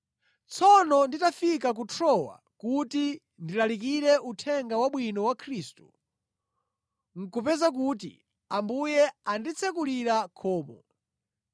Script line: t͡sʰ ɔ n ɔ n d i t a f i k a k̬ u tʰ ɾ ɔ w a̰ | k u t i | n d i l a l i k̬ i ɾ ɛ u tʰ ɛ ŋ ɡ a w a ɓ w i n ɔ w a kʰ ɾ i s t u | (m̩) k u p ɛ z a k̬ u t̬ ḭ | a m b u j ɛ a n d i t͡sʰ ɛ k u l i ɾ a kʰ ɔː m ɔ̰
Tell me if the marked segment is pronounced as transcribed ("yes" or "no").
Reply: no